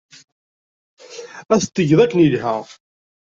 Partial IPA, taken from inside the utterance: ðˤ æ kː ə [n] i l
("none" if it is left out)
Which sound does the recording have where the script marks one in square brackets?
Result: n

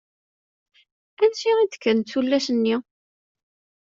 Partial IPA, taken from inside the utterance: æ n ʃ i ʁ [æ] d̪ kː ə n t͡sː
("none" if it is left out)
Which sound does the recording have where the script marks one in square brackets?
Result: i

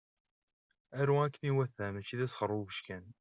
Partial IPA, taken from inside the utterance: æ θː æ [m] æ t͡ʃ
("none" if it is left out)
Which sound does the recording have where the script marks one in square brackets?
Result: m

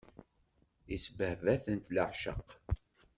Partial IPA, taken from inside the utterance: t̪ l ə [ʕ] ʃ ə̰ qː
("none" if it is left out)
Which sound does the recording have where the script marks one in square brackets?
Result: ʕ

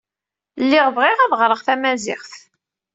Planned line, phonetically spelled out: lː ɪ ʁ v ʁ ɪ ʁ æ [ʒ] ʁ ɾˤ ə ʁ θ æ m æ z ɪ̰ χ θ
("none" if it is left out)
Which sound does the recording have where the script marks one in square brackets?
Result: ð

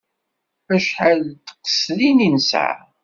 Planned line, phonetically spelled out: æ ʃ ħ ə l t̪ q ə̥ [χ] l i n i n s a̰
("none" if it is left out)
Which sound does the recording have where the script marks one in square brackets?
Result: s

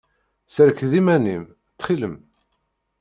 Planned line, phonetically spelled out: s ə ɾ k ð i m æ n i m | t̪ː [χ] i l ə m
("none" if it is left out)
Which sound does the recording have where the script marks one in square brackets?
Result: χ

